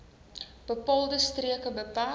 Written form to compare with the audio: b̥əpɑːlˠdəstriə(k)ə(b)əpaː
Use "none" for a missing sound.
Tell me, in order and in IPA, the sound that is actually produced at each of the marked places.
k, b

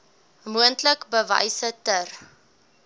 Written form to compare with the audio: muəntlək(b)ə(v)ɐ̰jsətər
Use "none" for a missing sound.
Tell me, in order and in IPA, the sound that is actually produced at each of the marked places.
b, v

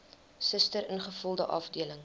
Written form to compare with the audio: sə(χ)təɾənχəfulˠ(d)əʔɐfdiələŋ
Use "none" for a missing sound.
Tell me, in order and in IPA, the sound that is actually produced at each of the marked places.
s, d

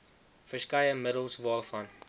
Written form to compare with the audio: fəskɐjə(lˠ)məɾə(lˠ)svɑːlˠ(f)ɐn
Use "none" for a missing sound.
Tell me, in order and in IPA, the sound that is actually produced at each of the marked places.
none, lˠ, f

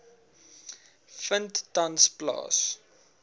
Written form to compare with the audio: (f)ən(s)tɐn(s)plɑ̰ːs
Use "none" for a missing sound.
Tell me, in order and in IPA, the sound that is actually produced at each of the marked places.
f, t, s

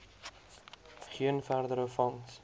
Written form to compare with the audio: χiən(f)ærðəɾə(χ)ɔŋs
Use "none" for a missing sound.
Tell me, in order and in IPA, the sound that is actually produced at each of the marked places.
f, f

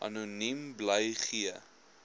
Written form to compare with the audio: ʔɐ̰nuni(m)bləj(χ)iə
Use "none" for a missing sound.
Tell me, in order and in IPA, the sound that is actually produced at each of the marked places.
m, χ

